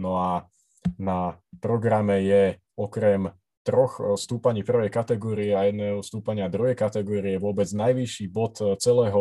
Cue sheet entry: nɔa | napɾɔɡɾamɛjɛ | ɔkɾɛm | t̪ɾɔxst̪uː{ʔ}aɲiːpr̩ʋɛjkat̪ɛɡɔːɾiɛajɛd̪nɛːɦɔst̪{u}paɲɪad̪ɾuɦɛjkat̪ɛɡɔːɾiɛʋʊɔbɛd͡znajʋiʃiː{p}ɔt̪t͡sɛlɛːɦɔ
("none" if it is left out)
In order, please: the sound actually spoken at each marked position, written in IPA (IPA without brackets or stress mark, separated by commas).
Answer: p, uː, b